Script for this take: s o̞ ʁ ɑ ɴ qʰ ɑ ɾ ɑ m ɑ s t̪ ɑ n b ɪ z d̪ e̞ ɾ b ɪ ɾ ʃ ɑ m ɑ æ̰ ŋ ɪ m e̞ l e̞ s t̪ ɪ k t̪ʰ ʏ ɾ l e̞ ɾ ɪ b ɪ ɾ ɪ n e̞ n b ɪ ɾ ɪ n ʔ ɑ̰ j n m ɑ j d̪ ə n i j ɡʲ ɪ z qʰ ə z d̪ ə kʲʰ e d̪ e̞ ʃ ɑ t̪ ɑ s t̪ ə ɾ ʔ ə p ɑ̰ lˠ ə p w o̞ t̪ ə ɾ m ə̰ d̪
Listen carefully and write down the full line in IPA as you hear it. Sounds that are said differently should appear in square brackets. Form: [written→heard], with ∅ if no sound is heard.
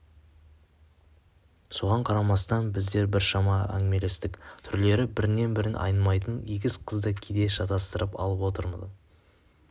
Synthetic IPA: s o̞ ʁ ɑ ɴ qʰ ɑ ɾ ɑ m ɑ s t̪ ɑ n b ɪ z d̪ e̞ ɾ b ɪ ɾ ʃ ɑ m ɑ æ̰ ŋ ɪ m e̞ l e̞ s t̪ ɪ k t̪ʰ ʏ ɾ l e̞ ɾ ɪ b ɪ ɾ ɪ n e̞ n b ɪ ɾ ɪ n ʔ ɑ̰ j n m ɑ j [d̪→t̪] ə n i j ɡʲ ɪ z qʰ ə z d̪ ə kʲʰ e d̪ e̞ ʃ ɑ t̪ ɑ s t̪ ə ɾ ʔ ə p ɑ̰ lˠ ə p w o̞ t̪ ə ɾ m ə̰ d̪